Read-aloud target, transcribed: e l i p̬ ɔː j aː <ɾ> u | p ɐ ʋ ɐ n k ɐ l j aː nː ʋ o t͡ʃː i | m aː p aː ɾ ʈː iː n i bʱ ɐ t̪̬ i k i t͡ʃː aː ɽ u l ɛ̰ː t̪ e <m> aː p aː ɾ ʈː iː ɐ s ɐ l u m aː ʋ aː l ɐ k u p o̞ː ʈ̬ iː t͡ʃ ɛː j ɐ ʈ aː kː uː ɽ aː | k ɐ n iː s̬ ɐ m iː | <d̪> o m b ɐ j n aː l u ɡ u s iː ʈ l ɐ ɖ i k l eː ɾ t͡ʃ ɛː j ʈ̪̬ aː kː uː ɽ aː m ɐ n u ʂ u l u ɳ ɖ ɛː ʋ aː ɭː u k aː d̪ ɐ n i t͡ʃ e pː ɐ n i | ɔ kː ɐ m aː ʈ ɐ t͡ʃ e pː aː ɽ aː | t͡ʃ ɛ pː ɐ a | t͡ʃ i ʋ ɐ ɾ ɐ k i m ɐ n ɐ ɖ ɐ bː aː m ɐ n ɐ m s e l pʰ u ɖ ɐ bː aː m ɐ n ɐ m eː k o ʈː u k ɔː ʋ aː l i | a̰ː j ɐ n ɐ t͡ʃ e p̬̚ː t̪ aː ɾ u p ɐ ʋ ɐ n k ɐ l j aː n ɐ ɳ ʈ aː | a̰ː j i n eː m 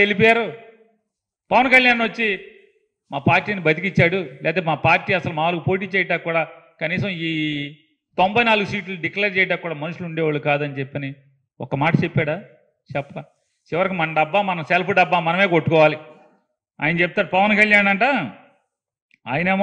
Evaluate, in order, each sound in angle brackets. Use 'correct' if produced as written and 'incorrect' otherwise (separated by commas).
correct, correct, incorrect